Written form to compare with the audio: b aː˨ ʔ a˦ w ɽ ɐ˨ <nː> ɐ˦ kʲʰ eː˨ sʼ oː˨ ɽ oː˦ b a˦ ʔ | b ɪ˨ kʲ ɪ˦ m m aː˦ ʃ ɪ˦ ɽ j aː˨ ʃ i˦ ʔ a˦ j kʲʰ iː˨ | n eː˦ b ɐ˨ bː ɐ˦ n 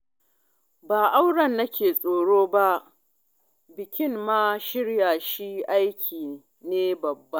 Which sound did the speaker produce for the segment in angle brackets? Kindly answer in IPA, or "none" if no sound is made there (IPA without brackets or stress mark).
nː